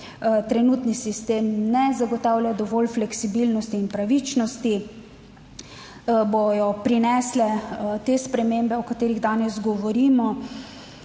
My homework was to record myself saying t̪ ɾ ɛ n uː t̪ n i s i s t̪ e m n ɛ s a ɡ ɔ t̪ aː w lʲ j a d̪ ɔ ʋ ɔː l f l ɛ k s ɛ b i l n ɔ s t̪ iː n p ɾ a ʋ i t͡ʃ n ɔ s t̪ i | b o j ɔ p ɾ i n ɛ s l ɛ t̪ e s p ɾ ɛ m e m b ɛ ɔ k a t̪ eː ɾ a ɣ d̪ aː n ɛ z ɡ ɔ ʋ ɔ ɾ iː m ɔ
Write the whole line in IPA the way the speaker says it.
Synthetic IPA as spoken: t̪ ɾ ɛ n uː t̪ n i s i s t̪ e m n ɛ z a ɡ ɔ t̪ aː w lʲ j a d̪ ɔ ʋ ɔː l f l ɛ k s i b i l n ɔ s t̪ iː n p ɾ a ʋ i t͡ʃ n ɔ s t̪ i | b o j ɔ p ɾ i n ɛ s l ɛ t̪ e s p ɾ ɛ m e m b ɛ ɔ k a t̪ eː ɾ i ɣ d̪ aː n ɛ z ɡ ɔ ʋ ɔ ɾ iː m ɔ